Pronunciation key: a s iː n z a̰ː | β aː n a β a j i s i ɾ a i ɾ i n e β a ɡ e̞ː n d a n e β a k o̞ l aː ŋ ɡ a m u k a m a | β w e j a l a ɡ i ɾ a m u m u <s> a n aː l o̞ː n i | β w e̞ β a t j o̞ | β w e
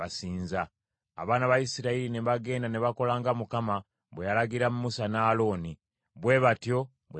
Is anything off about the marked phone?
no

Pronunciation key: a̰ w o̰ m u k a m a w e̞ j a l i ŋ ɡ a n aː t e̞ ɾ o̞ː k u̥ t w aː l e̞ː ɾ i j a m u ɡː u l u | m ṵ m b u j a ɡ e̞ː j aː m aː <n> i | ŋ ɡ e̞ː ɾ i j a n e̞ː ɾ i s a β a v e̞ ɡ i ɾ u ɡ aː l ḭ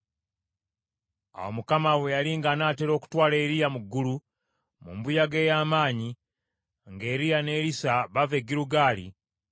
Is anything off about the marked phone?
yes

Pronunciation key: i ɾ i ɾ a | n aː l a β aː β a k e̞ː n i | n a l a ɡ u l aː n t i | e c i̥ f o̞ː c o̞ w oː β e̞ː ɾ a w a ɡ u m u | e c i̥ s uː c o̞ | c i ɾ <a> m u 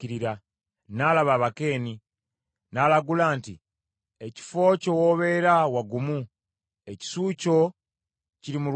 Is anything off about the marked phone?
yes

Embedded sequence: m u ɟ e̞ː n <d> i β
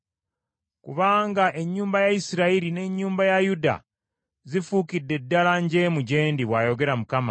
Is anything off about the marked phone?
no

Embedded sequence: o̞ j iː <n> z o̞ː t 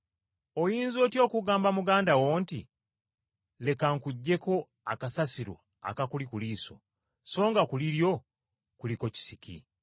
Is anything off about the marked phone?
no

